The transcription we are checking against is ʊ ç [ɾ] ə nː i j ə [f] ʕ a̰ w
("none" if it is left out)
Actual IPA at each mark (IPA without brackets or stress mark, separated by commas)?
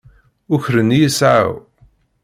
ɾ, s